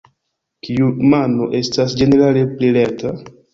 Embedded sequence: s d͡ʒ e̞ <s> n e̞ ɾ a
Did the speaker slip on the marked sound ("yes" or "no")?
yes